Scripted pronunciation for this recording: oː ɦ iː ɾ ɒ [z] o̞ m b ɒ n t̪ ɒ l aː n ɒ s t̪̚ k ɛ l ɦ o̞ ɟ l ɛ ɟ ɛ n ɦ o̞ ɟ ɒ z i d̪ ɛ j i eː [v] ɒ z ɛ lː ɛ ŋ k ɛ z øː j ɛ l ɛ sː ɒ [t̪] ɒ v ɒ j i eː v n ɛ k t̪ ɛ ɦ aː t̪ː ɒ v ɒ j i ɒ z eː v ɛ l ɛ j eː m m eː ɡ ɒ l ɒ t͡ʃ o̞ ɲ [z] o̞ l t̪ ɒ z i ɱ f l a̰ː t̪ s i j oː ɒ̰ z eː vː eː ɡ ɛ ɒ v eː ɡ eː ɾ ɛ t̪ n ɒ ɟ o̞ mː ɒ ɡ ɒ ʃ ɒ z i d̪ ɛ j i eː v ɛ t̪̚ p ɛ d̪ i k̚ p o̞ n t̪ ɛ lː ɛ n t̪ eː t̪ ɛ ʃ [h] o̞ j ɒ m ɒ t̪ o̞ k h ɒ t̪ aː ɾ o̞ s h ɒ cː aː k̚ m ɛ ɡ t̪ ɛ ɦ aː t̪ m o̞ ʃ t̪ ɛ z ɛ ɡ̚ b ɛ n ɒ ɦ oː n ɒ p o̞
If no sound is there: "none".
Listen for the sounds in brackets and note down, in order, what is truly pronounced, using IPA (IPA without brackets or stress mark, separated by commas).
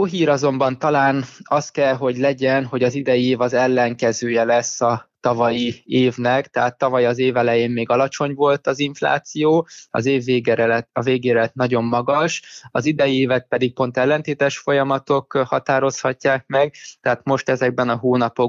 z, v, t̪, v, f